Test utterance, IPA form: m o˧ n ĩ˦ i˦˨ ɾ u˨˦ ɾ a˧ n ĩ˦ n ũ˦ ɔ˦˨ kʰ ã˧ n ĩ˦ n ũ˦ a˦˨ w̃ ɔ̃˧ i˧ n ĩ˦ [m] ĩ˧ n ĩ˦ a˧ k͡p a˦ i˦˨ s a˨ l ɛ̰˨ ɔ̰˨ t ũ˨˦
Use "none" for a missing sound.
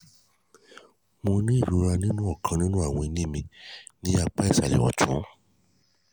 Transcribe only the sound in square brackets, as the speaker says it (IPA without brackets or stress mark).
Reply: m